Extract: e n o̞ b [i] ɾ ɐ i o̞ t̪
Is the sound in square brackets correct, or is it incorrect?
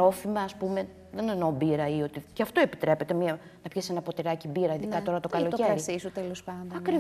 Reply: correct